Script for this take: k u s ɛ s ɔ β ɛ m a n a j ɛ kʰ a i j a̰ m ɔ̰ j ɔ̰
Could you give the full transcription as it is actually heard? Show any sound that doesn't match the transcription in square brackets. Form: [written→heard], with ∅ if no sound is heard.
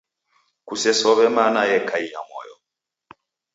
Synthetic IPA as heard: k u s ɛ s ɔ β ɛ m a n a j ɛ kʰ a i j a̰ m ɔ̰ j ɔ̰

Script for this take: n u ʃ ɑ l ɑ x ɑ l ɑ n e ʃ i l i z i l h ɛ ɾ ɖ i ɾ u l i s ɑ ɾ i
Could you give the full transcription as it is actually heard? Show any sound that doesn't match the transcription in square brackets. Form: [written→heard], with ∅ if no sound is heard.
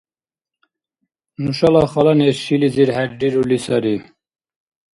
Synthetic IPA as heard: n u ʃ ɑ l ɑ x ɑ l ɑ n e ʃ i l i z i [l→ɾ] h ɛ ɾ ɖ i ɾ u l i s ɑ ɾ i

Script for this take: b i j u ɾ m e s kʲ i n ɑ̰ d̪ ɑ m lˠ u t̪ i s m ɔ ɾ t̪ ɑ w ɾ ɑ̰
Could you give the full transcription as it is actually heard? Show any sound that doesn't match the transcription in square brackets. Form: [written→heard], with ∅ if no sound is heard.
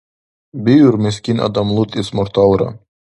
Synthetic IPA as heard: b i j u ɾ m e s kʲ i n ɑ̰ d̪ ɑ m lˠ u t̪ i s m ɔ ɾ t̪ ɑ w ɾ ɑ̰

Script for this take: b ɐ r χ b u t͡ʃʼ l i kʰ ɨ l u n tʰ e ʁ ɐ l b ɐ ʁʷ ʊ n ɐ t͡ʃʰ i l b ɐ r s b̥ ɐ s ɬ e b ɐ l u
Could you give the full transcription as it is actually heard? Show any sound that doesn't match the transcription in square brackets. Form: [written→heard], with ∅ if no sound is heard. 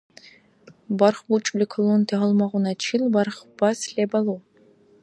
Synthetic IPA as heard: b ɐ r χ b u t͡ʃʼ l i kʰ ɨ l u n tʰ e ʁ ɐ l [b→m] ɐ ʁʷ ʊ n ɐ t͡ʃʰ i l b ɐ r [s→χ] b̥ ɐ s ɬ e b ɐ l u

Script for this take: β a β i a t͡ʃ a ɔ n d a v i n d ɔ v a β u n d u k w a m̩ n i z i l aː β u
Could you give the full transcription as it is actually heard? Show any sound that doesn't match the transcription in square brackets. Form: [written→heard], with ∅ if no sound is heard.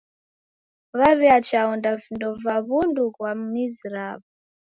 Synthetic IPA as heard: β a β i a t͡ʃ a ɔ n d a v i n d ɔ v a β u n d u k w a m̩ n i z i [l→ɾ] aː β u

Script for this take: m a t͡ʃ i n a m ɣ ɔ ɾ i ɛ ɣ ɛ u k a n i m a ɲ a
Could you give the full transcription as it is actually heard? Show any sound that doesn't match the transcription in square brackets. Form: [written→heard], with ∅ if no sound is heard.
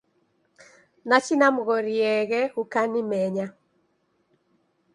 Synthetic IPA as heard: [m→n] a t͡ʃ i n a m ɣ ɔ ɾ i ɛ ɣ ɛ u k a n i m [a→ɛ] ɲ a

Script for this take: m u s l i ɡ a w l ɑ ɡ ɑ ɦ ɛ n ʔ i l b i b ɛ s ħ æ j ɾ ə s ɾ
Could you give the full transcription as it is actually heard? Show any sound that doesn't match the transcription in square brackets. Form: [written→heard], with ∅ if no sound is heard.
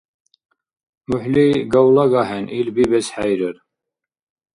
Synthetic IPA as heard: m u [s→ħ] l i ɡ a w l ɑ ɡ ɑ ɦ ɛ n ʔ i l b i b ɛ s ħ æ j ɾ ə [s→∅] ɾ

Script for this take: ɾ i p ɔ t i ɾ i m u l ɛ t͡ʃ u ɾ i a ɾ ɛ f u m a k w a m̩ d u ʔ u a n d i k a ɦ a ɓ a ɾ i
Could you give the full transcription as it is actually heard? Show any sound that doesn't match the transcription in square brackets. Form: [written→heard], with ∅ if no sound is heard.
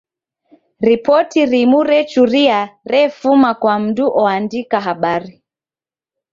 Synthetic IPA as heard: ɾ i p ɔ t i ɾ i m u [l→ɾ] ɛ t͡ʃ u ɾ i a ɾ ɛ f u m a k w a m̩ d u ʔ [u→ɔ] a n d i k a ɦ a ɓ a ɾ i

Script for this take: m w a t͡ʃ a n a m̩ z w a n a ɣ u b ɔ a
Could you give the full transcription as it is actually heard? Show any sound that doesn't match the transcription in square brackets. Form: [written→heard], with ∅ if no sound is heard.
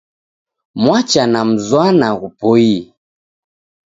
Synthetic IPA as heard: m w a t͡ʃ a n a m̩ z w a n a ɣ u [b→p] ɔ [a→i]

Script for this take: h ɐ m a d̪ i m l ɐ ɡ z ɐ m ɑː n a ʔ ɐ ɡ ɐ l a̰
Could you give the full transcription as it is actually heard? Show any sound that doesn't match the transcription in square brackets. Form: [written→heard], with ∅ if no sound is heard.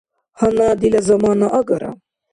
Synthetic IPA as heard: h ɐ [m→n] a d̪ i [m→∅] l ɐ [ɡ→∅] z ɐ m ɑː n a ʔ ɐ ɡ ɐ [l→ɾ] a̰

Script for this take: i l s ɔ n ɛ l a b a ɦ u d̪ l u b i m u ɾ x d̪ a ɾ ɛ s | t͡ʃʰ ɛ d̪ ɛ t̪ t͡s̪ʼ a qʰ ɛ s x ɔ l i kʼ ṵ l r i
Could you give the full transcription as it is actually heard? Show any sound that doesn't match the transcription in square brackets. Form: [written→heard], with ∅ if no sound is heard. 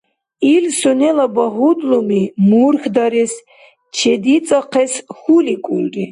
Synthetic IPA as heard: i l s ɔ n ɛ l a b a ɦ u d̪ l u [b→m] i m u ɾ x d̪ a ɾ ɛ s | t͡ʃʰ ɛ d̪ [ɛ→i] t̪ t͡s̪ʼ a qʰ ɛ s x [ɔ→u] l i kʼ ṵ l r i

